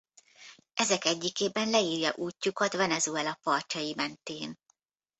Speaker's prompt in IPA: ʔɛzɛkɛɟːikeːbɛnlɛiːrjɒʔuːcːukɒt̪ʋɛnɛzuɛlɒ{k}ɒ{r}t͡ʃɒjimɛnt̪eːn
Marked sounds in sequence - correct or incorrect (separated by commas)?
incorrect, correct